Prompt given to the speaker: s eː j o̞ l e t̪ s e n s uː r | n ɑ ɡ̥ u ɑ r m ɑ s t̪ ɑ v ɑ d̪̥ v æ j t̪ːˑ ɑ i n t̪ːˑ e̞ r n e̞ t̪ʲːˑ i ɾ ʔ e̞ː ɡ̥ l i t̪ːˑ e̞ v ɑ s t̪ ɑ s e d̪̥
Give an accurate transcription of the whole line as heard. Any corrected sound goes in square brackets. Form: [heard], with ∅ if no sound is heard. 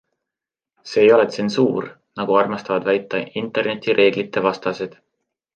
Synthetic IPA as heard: s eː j o̞ l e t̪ s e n s uː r | n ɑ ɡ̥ u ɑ r m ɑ s t̪ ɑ v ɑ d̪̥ v æ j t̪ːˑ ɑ i n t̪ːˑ e̞ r n e̞ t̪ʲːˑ i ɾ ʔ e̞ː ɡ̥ l i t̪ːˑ e̞ v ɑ s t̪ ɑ s e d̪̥